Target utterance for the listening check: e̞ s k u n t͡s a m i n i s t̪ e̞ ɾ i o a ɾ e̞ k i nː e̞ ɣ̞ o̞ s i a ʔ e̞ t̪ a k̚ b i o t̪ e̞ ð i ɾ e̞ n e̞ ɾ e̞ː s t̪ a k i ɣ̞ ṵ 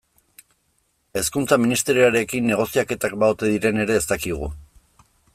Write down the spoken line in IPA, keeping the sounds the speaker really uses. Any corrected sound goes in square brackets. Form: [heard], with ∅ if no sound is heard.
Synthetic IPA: e̞ s k u n t͡s a m i n i s t̪ e̞ ɾ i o a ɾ e̞ k i nː e̞ ɣ̞ o̞ s i a [k] e̞ t̪ a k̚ b [a] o t̪ e̞ ð i ɾ e̞ n e̞ ɾ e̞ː s t̪ a k i ɣ̞ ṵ